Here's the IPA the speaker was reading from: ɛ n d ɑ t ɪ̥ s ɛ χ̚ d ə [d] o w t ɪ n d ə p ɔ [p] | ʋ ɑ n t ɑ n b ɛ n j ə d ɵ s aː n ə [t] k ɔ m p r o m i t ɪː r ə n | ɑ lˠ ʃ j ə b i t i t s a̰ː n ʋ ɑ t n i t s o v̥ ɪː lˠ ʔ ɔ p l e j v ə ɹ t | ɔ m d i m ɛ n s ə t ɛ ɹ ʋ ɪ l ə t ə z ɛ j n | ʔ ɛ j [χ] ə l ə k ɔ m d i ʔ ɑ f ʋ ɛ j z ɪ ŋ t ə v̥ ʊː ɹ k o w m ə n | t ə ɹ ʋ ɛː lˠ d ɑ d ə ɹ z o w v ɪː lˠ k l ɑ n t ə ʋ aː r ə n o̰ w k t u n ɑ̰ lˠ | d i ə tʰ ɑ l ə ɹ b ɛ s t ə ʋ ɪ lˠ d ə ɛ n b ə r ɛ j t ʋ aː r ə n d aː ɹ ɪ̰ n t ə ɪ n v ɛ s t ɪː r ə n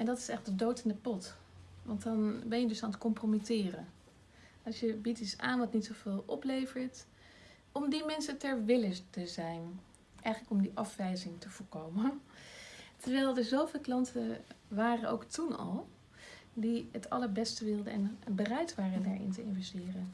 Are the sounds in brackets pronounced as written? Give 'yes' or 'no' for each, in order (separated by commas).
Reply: yes, no, yes, yes